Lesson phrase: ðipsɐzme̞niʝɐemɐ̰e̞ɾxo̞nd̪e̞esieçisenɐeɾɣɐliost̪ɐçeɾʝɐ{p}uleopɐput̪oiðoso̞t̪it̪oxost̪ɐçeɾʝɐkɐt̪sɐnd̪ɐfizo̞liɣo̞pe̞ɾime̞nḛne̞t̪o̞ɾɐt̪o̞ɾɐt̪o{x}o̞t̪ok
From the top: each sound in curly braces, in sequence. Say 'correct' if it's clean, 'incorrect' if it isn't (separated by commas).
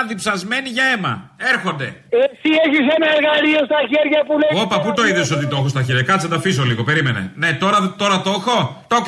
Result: correct, correct